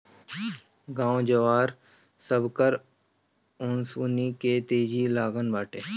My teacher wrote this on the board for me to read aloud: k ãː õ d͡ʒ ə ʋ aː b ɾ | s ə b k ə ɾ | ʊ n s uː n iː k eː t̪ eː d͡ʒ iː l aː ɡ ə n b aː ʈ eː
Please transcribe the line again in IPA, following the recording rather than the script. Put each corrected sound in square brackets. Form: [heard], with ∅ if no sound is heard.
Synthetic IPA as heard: [ɡ] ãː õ d͡ʒ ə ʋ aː [∅] ɾ | s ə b k ə ɾ | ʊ n s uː n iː k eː t̪ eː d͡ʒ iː l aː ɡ ə n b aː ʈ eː

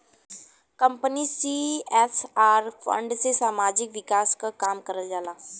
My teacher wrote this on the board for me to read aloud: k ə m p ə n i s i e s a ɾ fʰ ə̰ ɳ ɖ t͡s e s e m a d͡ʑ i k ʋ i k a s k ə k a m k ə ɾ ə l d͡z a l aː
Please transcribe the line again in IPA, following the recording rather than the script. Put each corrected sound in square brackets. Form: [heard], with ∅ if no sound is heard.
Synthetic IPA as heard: k ə m p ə n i s i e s a ɾ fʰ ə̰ ɳ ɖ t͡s e s [a] m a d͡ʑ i k ʋ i k a s k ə k a m k ə ɾ ə l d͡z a l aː

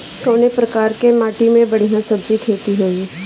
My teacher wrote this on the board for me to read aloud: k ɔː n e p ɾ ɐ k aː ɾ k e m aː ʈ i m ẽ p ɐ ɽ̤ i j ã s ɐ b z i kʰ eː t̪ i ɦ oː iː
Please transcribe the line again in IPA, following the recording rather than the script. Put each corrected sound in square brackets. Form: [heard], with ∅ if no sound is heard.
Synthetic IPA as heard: k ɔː n e p ɾ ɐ k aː ɾ k e m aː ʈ i m ẽ [b] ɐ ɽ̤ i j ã s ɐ b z i kʰ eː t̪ i ɦ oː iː

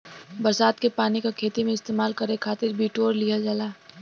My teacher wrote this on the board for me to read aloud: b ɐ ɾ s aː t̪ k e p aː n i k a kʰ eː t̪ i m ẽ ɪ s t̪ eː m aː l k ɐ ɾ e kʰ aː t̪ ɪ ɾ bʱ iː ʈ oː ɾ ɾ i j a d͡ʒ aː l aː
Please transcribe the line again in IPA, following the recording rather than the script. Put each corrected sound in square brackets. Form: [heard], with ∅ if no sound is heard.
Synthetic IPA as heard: b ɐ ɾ s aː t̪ k e p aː n i k a kʰ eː t̪ i m ẽ ɪ s t̪ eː m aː l k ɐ ɾ e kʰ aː t̪ ɪ ɾ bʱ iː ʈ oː ɾ [l] i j a d͡ʒ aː l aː

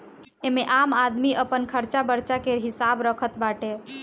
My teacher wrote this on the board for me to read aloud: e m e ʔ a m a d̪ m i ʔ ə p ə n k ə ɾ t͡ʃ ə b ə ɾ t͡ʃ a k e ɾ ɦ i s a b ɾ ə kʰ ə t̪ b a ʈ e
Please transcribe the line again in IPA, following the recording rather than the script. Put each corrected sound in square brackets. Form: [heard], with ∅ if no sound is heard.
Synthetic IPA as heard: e m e ʔ a m a d̪ m i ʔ ə p ə n [kʰ] ə ɾ t͡ʃ [a] b ə ɾ t͡ʃ a k e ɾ ɦ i s a b ɾ ə kʰ ə t̪ b a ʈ e

